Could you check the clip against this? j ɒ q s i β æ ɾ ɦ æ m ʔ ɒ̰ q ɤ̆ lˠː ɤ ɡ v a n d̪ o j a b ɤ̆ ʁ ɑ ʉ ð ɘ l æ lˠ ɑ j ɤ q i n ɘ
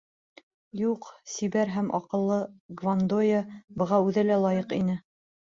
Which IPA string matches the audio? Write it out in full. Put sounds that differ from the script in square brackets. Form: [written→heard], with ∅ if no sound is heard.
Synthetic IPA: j [ɒ→u] q s i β æ ɾ ɦ æ m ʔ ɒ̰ q ɤ̆ lˠː ɤ ɡ v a n d̪ o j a b ɤ̆ ʁ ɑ ʉ ð ɘ l æ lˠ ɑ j ɤ q i n ɘ